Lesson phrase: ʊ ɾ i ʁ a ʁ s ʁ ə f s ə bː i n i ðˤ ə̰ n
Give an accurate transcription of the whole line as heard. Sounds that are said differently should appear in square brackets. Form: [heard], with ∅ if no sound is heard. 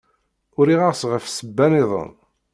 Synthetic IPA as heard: ʊ ɾ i ʁ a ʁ s ʁ ə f s ə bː [æ] n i ðˤ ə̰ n